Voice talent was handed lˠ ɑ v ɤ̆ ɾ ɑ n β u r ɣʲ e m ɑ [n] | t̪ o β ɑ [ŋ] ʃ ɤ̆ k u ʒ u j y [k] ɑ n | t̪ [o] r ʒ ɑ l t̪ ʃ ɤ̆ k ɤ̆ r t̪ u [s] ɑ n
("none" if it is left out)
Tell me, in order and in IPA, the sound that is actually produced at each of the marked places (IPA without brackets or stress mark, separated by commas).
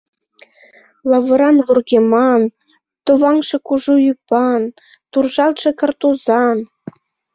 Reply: n, ŋ, p, u, z